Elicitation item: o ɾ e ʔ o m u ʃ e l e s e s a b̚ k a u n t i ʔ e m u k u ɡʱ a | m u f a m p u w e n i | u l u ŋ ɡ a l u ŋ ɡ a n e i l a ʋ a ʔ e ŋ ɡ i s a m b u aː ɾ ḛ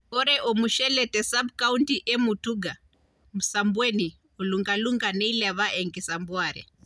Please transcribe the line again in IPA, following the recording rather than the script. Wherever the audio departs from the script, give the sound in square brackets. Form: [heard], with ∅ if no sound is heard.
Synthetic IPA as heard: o ɾ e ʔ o m u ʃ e l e [t] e s a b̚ k a u n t i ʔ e m u [t] u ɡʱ a | m u [s] a m [b] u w e n i | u l u ŋ ɡ a l u ŋ ɡ a n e i l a ʋ a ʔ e ŋ ɡ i s a m b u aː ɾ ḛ